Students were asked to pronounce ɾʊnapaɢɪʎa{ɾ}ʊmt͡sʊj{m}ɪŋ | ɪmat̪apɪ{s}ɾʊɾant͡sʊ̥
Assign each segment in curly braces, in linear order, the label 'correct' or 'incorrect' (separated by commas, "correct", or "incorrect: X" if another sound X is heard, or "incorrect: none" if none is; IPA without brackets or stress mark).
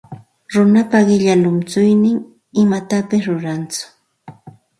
incorrect: l, incorrect: n, correct